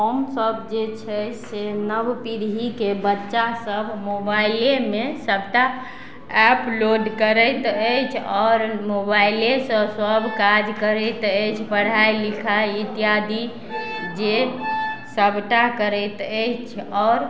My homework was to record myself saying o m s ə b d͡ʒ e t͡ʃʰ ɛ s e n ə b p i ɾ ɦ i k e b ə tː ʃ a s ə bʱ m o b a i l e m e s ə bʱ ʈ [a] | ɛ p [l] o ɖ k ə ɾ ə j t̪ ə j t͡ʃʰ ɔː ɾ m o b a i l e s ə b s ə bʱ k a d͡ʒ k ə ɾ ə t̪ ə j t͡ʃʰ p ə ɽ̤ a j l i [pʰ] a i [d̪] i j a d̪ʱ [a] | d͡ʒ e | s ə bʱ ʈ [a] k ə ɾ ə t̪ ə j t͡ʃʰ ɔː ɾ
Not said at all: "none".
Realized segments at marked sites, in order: a, l, kʰ, t̪, i, a

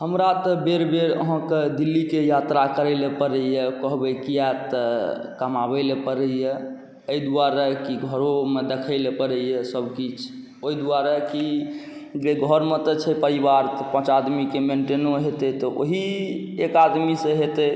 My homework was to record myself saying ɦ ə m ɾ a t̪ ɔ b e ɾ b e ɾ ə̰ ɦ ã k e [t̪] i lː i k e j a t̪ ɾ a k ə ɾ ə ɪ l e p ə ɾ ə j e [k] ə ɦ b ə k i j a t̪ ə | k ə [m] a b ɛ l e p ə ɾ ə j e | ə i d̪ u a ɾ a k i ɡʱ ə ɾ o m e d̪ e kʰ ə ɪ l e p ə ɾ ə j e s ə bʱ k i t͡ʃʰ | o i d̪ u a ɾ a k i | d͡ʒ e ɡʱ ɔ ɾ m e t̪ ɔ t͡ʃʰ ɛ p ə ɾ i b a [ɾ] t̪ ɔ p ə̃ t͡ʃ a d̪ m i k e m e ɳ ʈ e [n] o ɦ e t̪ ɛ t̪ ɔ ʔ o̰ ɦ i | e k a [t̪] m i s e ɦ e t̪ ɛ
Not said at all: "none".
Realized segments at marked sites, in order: d̪, k, m, ɾ, n, d̪

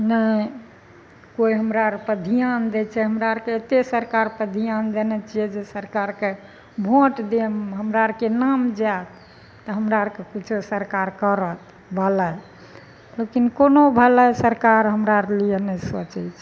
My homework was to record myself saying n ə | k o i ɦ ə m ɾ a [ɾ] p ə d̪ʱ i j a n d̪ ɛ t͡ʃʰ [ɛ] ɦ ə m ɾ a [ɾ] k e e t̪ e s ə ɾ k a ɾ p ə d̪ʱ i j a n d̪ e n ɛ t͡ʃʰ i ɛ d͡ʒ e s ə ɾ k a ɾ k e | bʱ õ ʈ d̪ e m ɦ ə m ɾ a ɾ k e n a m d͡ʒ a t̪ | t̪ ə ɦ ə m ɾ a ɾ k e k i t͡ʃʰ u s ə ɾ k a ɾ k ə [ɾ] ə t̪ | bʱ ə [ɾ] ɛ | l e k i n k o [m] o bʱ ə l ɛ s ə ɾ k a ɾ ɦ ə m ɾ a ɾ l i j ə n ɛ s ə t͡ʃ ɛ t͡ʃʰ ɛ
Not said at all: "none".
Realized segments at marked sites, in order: ɾ, ɛ, ɾ, ɾ, l, n

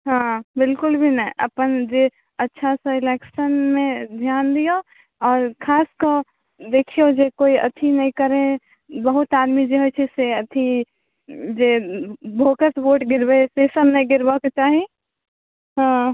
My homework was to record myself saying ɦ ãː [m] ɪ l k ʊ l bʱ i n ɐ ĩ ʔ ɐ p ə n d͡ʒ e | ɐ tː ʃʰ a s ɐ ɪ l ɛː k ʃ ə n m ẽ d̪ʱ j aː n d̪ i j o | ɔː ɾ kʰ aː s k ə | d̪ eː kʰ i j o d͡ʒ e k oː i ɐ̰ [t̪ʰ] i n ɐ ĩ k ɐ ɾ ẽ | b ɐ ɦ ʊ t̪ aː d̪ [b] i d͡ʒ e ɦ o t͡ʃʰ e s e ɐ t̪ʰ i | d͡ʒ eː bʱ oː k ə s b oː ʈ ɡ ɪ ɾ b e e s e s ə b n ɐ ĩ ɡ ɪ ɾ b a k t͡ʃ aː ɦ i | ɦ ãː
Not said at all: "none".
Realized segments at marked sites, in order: b, t̪ʰ, m

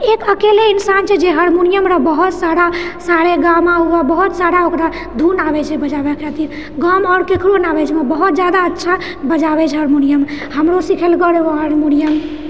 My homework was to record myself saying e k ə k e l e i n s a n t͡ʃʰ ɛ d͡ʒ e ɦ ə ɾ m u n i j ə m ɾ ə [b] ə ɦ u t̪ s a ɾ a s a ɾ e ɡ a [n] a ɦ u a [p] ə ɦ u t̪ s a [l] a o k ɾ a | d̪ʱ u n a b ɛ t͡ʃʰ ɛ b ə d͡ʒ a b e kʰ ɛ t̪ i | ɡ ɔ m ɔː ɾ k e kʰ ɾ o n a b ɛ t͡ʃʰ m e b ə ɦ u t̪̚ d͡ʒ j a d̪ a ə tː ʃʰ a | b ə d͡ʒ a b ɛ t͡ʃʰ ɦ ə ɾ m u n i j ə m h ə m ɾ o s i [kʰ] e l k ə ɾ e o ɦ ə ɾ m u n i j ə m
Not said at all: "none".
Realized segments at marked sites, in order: b, m, b, ɾ, kʰ

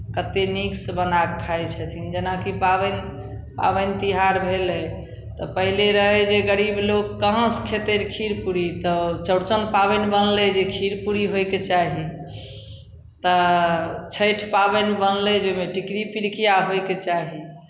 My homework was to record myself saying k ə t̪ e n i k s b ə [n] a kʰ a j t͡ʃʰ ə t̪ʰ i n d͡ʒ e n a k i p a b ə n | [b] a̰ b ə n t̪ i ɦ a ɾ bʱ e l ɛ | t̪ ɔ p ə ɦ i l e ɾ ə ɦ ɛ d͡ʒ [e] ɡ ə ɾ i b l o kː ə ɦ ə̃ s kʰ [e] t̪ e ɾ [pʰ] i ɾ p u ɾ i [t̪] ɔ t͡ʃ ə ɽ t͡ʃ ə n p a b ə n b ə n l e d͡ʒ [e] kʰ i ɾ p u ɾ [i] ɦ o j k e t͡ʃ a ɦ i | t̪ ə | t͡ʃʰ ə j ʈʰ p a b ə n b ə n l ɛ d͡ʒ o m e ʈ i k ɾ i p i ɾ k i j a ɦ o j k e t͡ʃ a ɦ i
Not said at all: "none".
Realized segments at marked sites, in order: n, p, e, e, kʰ, t̪, e, i

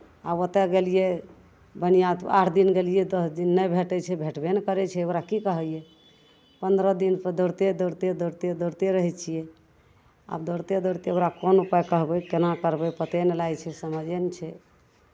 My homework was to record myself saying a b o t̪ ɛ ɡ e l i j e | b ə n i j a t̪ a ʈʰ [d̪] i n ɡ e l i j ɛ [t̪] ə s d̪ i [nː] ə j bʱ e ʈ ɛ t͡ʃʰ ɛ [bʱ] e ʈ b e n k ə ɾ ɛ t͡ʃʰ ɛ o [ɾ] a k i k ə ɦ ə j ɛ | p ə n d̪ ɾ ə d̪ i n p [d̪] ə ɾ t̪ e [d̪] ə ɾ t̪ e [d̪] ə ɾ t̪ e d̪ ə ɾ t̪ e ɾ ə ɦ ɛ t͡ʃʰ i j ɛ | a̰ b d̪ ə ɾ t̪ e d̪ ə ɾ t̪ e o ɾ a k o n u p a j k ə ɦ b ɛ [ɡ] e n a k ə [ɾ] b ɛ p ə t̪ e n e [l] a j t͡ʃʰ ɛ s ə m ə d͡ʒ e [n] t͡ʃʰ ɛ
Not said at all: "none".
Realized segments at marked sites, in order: d̪, d̪, nː, bʱ, ɾ, d̪, d̪, d̪, k, ɾ, l, n

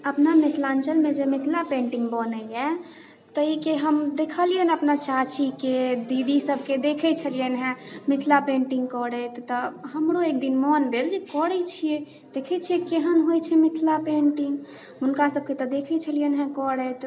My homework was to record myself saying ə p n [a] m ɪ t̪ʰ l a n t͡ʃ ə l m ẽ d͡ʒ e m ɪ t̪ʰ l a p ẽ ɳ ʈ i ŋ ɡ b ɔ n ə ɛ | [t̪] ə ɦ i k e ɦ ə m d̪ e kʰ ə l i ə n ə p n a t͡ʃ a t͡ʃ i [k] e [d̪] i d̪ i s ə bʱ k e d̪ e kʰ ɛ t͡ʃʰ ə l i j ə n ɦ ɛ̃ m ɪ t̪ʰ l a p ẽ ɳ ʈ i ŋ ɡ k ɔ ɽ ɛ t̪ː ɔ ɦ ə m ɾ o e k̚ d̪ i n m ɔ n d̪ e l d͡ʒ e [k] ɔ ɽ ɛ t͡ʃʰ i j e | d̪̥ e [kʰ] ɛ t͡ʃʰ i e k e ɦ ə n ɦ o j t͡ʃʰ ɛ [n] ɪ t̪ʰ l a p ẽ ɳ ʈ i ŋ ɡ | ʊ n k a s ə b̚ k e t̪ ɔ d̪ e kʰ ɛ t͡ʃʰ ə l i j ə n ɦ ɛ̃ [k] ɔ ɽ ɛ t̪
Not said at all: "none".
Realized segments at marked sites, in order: a, t̪, k, d̪, k, kʰ, m, k

